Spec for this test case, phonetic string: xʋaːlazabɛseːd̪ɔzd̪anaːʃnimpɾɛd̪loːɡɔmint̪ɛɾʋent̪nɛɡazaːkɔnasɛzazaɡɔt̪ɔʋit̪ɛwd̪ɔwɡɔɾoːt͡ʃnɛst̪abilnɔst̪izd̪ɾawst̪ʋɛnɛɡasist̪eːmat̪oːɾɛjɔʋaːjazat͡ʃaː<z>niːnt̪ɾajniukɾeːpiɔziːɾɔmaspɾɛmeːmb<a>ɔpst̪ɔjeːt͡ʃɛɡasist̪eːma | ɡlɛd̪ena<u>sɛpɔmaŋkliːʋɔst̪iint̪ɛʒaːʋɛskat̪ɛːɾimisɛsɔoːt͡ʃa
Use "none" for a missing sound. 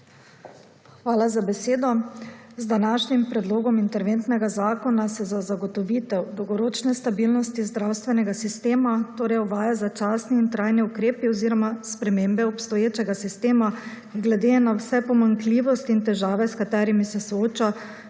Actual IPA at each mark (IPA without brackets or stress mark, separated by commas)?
s, ɛ, w